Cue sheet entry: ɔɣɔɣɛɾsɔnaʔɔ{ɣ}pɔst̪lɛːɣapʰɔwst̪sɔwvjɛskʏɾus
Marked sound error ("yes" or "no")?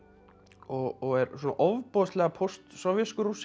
yes